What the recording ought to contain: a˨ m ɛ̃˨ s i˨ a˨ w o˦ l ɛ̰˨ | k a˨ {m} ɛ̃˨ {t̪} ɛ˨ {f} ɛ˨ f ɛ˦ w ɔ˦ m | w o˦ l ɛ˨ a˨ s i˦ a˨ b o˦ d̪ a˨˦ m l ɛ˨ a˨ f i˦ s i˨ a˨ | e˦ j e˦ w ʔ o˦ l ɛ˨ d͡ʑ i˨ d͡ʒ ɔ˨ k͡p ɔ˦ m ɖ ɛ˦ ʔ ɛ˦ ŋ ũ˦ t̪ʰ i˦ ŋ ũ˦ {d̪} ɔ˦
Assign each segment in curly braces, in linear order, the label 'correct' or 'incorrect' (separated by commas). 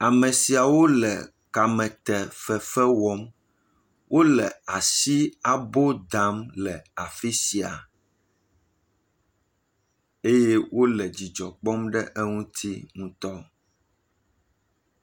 correct, correct, correct, incorrect